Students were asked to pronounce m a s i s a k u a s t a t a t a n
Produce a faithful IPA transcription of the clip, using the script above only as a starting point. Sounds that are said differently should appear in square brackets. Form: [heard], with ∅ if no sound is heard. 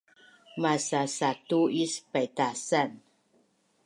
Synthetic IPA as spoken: m a s [a] s a [t] u [i] s [p] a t a [s] a n